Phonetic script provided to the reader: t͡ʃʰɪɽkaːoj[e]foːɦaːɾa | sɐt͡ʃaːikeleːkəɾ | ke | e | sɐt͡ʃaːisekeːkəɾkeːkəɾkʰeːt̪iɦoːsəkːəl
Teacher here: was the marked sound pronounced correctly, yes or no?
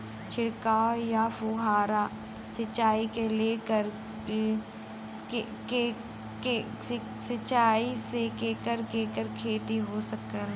no